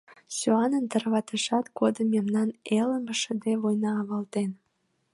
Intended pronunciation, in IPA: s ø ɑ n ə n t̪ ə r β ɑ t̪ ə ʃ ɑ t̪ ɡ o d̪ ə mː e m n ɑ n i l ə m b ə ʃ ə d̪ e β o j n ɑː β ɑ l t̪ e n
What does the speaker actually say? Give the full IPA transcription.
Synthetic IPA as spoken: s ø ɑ n ə n t̪ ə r β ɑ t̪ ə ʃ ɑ t̪ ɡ o d̪ ə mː e m n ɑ n e l ə m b ə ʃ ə d̪ e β o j n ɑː β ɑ l t̪ e n